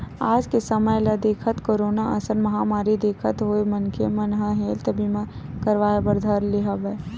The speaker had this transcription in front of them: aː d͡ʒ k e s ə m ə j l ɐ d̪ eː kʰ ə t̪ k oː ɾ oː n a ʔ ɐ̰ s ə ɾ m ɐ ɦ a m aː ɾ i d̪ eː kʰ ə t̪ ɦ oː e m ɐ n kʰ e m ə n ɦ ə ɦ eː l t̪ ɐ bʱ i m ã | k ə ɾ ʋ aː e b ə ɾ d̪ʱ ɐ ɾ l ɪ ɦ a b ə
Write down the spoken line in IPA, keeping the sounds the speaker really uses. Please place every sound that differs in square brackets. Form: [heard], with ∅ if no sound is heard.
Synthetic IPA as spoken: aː d͡ʒ k e s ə m ə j l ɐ d̪ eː kʰ ə t̪ k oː ɾ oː n a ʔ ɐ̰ s ə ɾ m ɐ ɦ a m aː ɾ i d̪ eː kʰ ə t̪ ɦ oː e m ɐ n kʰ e m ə n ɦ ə ɦ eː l t̪ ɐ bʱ i m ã | k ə ɾ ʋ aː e b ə ɾ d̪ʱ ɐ ɾ l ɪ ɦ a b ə